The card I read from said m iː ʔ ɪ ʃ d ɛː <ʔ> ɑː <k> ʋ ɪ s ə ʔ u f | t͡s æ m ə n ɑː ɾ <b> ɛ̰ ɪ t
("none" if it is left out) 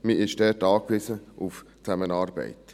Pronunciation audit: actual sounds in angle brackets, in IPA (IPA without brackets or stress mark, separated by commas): t, k, b